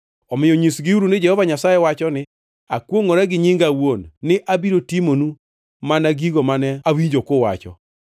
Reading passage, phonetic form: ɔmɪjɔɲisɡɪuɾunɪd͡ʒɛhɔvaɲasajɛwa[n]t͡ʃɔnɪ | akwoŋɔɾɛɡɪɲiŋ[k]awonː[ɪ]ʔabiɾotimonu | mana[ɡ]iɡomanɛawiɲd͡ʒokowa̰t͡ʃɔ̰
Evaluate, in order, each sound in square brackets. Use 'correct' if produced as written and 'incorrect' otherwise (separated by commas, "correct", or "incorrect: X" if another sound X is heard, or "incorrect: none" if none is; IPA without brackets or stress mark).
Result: incorrect: none, incorrect: ɡ, correct, correct